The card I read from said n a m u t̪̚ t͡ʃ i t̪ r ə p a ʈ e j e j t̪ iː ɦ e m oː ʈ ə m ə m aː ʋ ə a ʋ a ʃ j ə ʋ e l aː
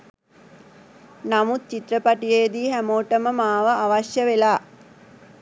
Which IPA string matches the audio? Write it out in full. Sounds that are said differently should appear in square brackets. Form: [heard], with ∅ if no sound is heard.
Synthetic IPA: n a m u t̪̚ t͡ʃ i t̪ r ə p a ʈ [i] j e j [d̪] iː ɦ [æ] m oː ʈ ə m ə m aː ʋ ə a ʋ a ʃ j ə ʋ e l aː

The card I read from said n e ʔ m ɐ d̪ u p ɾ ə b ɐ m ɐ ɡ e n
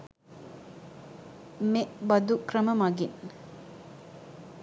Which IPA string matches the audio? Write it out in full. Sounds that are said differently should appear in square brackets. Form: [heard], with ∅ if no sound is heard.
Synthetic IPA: [m] e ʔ [b] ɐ d̪ u [k] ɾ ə [m] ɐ m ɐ ɡ [i] n

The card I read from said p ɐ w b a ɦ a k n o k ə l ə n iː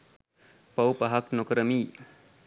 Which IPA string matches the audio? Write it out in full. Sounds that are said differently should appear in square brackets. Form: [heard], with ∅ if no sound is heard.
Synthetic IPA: p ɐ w [p] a ɦ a k n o k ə [ɾ] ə [m] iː

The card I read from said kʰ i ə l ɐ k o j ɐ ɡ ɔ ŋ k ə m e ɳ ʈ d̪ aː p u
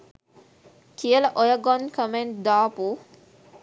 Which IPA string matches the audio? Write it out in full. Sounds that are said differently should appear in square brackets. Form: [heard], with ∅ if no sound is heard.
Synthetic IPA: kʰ i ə l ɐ [ʔ] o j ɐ ɡ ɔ [n] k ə m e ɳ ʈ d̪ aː p u

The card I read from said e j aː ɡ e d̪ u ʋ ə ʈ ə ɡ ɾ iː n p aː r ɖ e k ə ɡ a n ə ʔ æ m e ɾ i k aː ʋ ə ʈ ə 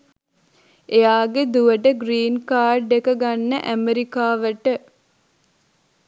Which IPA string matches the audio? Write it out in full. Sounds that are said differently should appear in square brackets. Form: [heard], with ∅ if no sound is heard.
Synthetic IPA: e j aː ɡ e d̪ u ʋ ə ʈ ə ɡ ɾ iː n [k] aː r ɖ e k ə ɡ a [nː] ə ʔ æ m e ɾ i k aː ʋ ə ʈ ə

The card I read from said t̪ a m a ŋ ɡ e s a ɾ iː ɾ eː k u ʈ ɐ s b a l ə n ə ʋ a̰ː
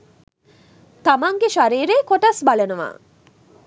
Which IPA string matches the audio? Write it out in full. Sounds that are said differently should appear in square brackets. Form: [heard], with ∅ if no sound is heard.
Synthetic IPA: t̪ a m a ŋ ɡ e [ʃ] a ɾ iː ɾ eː k [o] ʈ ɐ s b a l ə n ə ʋ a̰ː

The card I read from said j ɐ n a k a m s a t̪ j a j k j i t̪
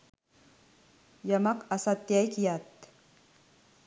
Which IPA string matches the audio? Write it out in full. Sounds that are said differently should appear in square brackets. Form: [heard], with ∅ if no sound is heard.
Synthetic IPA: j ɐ [m] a k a [∅] s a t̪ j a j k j [a] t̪

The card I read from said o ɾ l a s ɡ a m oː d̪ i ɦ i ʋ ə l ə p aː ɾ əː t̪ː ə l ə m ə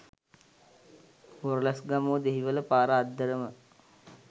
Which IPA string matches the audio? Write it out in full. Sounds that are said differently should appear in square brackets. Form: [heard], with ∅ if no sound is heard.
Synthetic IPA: o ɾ l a s ɡ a m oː d̪ [e] ɦ i ʋ ə l ə p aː ɾ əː [d̪ː] ə [ɾ] ə m ə

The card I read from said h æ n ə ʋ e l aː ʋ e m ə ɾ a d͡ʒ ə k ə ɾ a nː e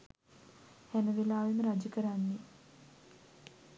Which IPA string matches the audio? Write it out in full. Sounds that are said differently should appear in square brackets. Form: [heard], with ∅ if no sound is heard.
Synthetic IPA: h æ n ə ʋ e l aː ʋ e m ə ɾ a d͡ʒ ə k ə ɾ a nː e

